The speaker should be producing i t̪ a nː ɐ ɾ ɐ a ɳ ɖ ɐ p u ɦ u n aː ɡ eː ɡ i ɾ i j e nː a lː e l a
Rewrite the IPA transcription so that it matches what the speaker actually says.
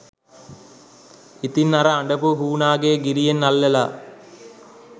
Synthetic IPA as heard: i t̪ i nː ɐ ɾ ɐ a ɳ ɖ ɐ p u ɦ uː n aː ɡ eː ɡ i ɾ i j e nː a lː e l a